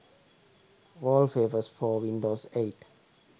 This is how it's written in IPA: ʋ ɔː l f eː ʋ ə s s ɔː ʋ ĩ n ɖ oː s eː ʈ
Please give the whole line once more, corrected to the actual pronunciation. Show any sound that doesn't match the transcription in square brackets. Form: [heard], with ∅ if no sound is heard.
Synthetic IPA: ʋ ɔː l f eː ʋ ə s [f] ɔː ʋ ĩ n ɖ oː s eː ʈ

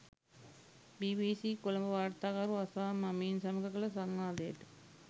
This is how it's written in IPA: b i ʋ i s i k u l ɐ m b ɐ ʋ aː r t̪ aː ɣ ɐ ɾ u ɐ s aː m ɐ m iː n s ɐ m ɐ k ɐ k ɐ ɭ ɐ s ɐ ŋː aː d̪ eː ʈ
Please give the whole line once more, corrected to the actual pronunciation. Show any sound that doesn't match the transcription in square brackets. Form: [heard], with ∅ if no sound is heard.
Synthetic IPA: b i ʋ i s i k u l ɐ m b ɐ ʋ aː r t̪ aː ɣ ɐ ɾ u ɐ s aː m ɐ m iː n s ɐ m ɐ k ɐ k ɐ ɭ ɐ s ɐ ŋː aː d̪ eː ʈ

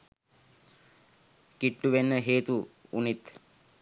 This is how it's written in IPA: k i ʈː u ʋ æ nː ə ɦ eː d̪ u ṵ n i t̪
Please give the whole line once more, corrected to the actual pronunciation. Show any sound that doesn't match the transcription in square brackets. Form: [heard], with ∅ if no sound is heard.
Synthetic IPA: k i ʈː u ʋ [e] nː ə ɦ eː [t̪] u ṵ n i t̪

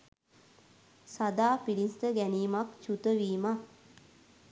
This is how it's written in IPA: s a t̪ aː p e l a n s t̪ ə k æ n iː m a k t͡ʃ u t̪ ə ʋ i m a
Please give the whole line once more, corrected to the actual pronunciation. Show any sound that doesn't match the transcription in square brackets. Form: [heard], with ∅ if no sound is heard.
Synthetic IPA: s a [d̪] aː p [i] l [i] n s t̪ ə [ɡ] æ n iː m a k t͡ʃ u t̪ ə ʋ [iː] m a

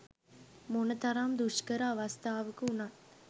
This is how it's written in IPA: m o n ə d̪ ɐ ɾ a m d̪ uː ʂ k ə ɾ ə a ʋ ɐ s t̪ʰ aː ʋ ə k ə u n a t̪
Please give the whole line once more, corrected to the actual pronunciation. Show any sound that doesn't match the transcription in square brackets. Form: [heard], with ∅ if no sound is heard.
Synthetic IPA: m o n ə [t̪] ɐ ɾ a m d̪ [u] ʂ k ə ɾ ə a ʋ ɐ s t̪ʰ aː ʋ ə k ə u n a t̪

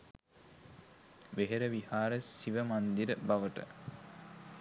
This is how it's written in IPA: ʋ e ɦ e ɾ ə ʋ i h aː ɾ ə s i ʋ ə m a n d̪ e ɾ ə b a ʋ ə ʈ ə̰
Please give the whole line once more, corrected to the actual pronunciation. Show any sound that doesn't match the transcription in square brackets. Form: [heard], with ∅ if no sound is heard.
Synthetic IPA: ʋ e ɦ e ɾ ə ʋ i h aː ɾ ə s i ʋ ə m a n d̪ [i] ɾ ə b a ʋ ə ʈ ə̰

